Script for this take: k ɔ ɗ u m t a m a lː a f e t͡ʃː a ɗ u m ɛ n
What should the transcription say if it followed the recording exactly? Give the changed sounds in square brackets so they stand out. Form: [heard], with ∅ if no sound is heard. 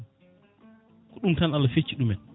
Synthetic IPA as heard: k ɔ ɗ u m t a [n] a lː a f e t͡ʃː [i] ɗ u m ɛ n